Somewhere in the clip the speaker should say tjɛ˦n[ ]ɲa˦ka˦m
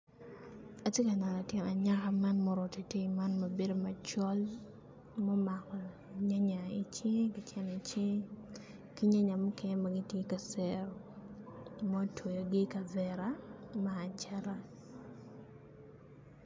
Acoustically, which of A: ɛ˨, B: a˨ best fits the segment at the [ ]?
B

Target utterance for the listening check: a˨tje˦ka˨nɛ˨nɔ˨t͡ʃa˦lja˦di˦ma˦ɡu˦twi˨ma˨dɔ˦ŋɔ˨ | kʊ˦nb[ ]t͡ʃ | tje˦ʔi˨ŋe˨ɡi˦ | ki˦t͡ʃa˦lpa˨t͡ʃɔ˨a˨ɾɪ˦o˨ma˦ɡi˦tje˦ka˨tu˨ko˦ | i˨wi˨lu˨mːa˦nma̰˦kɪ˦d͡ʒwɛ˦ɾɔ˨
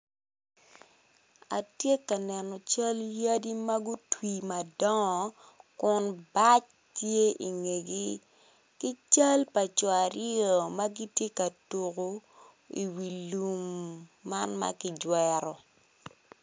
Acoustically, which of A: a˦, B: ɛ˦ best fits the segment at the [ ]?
A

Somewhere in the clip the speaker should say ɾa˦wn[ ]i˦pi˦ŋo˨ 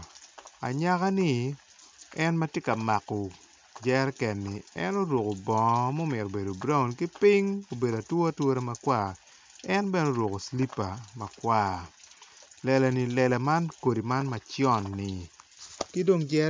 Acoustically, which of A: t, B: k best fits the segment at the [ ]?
B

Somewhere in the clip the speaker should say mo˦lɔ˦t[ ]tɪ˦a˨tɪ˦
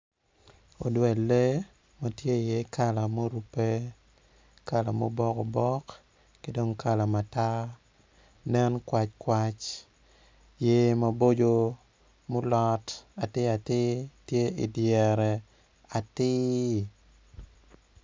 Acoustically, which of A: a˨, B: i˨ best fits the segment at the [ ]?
A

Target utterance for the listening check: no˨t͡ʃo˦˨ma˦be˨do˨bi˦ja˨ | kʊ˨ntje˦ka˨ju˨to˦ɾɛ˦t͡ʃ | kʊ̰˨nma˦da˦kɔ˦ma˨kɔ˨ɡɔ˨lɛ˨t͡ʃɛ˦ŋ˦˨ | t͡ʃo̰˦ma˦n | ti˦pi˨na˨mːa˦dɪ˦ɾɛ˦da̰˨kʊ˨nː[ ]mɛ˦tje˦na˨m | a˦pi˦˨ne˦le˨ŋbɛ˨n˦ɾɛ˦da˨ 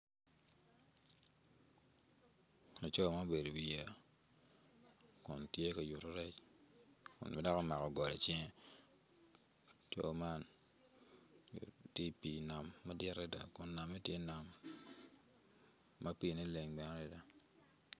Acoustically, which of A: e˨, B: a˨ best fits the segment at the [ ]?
B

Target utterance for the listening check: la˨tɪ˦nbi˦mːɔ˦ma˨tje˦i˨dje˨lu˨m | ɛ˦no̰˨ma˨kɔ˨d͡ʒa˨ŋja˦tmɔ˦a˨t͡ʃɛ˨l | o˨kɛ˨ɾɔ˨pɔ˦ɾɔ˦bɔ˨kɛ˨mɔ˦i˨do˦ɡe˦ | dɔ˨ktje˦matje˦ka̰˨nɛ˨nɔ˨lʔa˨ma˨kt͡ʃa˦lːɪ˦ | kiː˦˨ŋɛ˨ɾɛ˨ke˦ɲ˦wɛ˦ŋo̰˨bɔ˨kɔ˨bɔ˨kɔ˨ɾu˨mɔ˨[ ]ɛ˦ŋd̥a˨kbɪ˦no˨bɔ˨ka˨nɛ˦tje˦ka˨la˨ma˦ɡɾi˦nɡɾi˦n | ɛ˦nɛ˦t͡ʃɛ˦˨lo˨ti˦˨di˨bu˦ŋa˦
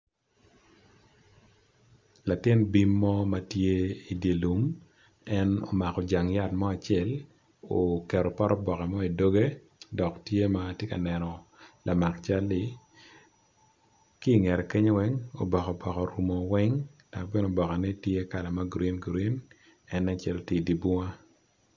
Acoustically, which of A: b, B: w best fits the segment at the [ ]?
B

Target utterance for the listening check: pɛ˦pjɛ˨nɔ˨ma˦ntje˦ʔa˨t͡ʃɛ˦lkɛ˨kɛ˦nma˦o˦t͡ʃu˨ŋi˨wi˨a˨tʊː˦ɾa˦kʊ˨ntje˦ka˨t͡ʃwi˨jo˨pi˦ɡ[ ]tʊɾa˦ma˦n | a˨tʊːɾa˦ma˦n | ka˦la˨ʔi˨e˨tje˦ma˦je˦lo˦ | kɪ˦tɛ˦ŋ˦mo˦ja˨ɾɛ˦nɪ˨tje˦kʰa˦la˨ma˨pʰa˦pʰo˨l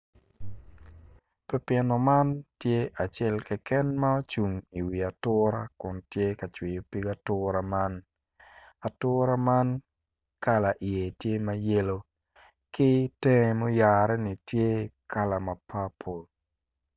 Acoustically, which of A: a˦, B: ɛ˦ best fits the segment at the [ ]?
A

